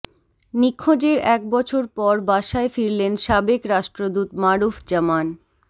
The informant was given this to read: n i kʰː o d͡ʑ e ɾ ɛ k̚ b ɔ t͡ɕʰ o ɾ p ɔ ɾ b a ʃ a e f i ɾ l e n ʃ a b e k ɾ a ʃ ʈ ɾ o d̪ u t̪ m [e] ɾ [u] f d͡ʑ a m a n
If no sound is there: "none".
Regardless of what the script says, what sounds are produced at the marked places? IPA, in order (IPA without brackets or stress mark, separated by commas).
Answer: a, u